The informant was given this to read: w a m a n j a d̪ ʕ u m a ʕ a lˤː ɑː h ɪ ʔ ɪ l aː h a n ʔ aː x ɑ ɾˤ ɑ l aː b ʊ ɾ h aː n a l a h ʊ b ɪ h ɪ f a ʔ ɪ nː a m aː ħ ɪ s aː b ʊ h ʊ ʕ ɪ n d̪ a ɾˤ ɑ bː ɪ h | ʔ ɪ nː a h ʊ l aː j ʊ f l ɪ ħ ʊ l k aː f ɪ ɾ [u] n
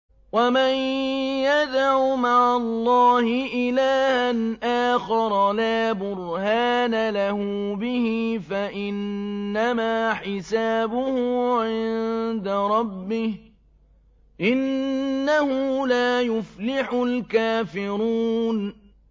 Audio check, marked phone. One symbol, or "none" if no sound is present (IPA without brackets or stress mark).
uː